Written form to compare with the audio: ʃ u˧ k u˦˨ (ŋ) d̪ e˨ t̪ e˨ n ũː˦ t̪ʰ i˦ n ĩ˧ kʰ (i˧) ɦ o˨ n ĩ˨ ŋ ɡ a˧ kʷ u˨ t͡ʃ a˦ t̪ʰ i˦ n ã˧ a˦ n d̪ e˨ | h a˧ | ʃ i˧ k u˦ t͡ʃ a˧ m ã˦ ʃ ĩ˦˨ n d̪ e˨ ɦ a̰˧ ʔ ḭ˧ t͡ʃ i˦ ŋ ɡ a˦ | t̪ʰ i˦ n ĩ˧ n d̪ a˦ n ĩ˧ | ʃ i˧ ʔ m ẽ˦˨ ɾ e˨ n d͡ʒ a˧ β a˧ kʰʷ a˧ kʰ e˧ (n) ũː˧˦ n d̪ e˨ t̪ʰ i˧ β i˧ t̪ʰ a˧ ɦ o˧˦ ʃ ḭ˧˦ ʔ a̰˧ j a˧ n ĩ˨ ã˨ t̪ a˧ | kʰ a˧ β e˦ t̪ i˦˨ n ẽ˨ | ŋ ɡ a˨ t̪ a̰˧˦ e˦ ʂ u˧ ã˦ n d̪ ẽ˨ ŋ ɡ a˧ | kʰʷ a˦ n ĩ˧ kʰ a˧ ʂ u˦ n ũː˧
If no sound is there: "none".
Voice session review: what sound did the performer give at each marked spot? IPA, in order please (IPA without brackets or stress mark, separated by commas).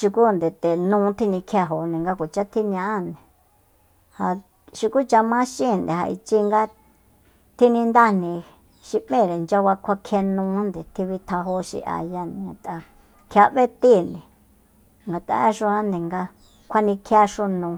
n, a˧, n